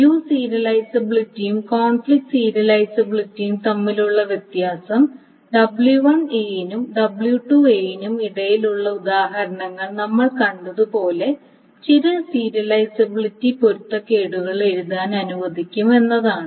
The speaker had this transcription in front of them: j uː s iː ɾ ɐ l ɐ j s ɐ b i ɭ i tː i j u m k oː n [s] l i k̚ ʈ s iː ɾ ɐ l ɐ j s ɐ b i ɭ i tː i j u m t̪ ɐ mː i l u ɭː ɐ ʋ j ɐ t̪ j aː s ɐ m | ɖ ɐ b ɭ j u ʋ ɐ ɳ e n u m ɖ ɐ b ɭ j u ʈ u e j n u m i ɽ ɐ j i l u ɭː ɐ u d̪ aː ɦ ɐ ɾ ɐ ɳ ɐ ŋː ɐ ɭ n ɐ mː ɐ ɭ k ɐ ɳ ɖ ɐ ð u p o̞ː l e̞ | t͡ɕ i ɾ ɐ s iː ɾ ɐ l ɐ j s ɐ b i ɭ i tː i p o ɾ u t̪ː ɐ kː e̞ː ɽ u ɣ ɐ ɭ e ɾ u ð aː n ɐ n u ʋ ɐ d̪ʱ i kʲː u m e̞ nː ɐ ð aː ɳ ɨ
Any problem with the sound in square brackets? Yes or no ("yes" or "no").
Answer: yes